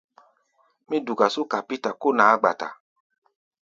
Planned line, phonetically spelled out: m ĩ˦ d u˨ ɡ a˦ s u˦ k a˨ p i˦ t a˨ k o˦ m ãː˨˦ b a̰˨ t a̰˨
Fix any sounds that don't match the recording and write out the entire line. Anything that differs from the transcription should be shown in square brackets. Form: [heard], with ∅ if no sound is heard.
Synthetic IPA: m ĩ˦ d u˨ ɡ [a˨] s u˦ k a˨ p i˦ t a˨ k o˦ [n] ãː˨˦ [ɡ͡b] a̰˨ t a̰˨